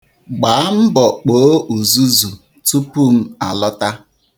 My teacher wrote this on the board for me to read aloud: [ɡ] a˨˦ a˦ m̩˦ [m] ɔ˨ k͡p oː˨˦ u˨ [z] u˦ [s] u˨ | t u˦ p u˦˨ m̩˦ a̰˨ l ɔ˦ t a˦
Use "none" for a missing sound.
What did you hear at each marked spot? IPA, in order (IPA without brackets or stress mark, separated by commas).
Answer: ɡ͡b, b, z, z